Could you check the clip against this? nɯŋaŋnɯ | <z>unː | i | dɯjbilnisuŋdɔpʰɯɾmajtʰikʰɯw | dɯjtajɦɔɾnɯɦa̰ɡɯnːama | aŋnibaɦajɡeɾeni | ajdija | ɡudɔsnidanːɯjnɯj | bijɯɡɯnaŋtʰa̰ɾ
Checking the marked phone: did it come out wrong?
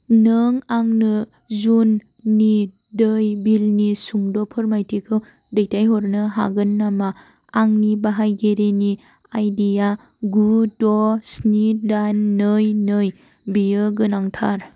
no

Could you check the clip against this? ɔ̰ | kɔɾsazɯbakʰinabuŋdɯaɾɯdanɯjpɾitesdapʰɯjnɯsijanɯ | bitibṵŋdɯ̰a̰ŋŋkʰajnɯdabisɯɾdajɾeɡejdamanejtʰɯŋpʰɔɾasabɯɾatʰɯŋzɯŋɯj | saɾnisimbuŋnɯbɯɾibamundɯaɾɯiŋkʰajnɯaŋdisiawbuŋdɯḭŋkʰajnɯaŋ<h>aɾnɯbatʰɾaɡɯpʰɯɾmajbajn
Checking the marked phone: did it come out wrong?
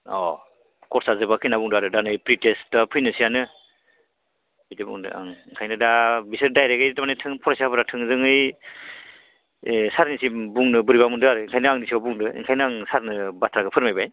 yes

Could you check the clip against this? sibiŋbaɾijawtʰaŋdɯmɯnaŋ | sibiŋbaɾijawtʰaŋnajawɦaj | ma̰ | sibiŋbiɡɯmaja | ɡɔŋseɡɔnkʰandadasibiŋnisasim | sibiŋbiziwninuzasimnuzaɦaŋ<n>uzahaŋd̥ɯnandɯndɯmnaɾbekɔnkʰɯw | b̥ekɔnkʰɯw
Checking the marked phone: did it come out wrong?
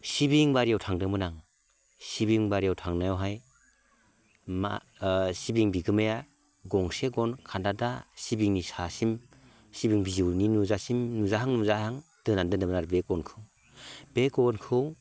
no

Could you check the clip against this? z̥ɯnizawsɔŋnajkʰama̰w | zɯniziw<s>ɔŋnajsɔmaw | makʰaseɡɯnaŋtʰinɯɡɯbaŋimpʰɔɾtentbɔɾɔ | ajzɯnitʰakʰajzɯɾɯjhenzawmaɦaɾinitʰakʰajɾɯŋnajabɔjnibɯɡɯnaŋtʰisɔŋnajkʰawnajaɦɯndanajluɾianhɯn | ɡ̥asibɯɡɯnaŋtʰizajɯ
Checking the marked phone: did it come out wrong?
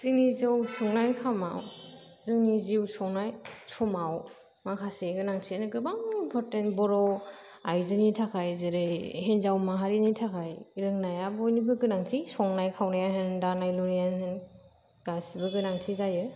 no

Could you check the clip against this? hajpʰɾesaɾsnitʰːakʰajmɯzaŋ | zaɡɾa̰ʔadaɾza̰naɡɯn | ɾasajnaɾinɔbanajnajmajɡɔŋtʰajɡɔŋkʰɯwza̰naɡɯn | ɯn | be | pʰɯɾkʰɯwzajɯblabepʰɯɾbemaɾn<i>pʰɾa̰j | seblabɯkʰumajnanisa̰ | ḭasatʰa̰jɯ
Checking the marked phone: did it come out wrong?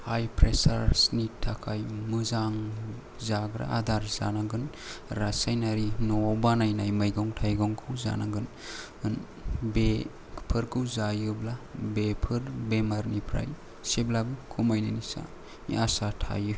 no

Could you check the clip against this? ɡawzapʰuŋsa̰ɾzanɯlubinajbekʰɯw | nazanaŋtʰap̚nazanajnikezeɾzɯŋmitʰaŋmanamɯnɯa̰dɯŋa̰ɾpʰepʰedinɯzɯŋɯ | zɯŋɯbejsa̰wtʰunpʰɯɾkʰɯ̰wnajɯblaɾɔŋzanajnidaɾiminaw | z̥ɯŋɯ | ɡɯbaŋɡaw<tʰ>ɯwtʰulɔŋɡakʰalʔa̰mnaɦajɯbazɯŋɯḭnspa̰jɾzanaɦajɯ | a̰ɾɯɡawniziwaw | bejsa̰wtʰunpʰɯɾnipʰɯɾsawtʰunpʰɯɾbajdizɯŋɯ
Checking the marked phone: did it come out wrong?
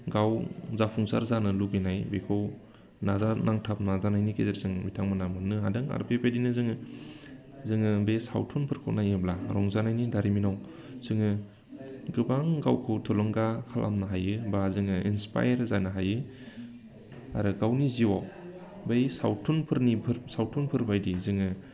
yes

